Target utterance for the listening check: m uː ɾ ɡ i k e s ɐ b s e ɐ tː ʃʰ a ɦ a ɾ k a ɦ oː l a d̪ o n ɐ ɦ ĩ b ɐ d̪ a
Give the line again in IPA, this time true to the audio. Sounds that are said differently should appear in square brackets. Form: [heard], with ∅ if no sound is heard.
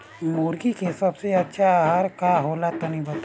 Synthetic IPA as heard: m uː ɾ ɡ i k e s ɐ b s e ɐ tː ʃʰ a ɦ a ɾ k a ɦ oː l a [t̪] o n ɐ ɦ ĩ b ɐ [t̪] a